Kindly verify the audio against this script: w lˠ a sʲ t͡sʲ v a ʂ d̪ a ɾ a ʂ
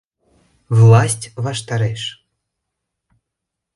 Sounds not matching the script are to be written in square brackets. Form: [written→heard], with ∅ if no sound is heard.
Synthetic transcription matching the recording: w lˠ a sʲ t͡sʲ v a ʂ [d̪→t̪] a ɾ [a→ɛ] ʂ